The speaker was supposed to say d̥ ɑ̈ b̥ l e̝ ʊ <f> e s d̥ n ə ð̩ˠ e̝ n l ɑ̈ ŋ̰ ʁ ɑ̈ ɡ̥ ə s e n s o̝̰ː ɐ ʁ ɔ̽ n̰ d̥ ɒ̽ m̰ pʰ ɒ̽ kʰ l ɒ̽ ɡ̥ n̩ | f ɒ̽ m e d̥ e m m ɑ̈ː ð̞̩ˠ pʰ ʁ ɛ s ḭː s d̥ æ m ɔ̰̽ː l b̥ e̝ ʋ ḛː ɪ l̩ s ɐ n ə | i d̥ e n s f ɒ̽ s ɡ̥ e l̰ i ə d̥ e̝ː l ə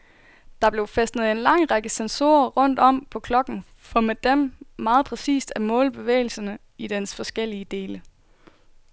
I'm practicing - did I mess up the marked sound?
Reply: no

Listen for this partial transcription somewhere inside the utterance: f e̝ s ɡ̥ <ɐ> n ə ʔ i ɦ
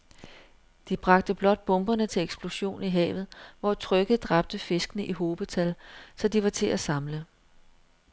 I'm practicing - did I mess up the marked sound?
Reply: yes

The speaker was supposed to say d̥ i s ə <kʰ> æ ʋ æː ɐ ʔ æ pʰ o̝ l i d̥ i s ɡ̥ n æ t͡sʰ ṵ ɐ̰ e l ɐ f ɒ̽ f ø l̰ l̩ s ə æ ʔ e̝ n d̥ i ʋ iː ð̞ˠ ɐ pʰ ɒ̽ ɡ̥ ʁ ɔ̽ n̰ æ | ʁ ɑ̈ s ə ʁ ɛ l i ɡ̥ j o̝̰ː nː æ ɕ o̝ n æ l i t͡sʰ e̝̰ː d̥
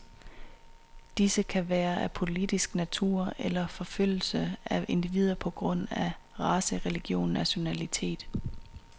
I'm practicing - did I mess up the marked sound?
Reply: no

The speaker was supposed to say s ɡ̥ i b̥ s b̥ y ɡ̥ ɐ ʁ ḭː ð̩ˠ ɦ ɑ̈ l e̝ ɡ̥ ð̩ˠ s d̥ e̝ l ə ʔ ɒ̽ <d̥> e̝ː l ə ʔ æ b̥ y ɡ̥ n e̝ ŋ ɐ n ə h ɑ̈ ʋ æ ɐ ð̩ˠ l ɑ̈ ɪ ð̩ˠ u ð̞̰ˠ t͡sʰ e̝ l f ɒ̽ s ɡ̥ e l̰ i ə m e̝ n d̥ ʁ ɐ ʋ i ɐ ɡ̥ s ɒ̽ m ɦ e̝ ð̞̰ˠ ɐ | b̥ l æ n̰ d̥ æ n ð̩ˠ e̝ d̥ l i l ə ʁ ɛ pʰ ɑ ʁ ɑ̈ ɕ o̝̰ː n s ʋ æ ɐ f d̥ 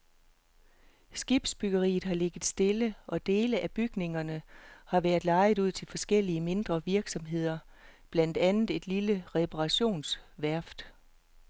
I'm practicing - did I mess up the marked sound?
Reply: no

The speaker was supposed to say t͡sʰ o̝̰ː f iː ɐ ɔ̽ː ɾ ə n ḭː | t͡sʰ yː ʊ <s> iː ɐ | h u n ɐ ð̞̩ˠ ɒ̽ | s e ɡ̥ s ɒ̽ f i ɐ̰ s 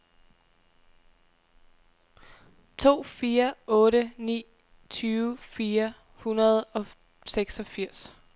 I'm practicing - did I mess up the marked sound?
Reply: yes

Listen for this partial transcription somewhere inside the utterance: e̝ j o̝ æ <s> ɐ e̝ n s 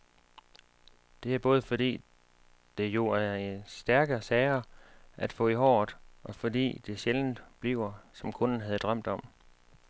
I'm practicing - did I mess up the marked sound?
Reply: yes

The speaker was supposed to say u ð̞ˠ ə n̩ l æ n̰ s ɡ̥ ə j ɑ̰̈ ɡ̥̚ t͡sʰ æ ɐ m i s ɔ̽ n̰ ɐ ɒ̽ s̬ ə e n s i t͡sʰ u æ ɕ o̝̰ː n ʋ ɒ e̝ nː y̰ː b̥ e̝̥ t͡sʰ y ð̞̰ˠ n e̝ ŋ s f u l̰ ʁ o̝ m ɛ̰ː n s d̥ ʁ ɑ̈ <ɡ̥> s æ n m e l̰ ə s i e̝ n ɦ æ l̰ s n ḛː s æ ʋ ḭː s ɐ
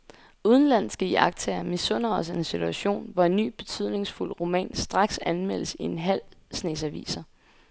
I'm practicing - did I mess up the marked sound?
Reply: no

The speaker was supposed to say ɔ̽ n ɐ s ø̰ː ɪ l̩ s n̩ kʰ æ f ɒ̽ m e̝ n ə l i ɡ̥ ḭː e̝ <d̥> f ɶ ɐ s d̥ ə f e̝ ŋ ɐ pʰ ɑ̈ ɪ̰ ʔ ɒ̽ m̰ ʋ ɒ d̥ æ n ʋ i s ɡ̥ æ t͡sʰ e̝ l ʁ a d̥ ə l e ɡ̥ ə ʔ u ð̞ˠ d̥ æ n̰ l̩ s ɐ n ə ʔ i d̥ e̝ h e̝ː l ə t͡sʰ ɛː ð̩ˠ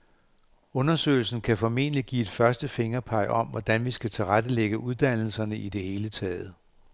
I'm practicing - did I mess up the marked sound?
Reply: no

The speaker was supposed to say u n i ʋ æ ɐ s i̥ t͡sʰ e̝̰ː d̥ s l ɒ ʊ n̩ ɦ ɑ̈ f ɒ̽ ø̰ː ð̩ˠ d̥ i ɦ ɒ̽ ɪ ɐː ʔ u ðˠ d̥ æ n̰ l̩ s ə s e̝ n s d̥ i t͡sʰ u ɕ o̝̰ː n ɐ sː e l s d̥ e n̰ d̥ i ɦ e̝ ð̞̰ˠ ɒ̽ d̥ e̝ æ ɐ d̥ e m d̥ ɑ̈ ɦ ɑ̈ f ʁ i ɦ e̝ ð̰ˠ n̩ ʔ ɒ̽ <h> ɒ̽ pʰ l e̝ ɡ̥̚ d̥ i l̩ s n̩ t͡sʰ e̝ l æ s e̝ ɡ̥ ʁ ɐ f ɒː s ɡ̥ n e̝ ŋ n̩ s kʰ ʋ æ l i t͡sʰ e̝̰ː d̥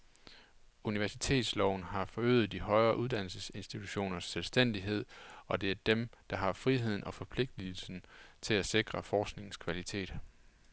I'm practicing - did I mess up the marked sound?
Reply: yes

